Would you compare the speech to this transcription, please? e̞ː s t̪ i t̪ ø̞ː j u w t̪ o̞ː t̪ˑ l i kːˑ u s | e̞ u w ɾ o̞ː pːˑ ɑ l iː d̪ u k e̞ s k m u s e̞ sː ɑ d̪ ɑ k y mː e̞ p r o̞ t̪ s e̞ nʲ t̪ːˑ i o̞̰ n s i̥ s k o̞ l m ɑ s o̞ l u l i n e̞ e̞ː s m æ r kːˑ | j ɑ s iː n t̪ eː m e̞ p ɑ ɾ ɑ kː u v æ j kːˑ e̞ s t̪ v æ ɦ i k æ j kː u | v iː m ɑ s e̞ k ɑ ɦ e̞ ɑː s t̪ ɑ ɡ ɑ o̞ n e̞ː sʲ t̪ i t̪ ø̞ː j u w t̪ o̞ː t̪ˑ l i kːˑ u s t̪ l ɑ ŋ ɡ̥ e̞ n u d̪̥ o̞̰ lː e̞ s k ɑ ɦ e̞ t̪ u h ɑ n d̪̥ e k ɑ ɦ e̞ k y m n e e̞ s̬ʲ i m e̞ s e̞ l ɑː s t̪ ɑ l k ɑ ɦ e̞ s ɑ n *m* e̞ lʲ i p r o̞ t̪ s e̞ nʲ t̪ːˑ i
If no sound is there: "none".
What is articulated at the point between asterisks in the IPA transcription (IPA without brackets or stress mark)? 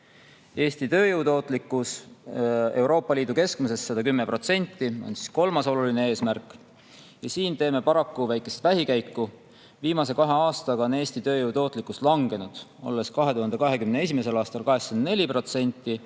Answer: n